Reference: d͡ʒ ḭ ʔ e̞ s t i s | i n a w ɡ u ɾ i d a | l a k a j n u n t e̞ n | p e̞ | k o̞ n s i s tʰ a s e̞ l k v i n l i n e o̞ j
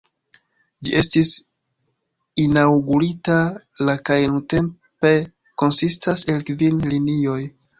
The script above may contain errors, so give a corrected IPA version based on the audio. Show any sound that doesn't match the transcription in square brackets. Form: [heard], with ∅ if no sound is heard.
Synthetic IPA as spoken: d͡ʒ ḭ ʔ e̞ s t i s | i n a w ɡ u ɾ i [t] a | l a k a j n u n t e̞ [m] | p e̞ | k o̞ n s i s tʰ a s e̞ l k v i n l i n [i] o̞ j